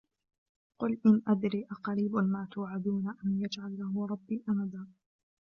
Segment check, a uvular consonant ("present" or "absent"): present